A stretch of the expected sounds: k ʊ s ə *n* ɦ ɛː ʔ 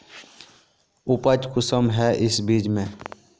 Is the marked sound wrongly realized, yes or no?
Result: yes